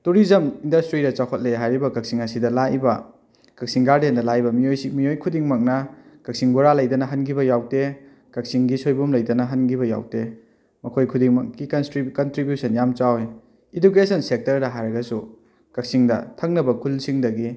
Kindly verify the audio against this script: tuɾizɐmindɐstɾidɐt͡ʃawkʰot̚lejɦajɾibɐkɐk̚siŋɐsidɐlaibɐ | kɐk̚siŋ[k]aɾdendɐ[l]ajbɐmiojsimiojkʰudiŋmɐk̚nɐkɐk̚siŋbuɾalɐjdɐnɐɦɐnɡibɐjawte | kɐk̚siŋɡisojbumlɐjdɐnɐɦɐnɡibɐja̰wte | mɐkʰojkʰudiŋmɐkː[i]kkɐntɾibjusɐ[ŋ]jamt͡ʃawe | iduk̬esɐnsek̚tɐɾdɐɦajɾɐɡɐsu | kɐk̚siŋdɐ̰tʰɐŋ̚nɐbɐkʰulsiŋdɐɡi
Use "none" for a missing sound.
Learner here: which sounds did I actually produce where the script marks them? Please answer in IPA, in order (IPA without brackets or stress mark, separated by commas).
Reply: ɡ, l, i, n